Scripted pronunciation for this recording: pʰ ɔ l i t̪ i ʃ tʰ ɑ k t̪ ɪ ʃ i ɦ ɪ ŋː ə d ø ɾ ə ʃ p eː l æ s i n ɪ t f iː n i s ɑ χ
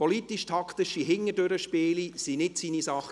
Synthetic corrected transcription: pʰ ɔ l i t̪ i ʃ tʰ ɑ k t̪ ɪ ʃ i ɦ ɪ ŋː ə d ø ɾ ə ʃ p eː l i s i n ɪ t s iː n i s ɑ χ